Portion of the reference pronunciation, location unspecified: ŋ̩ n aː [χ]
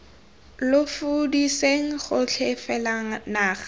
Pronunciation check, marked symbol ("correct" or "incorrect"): correct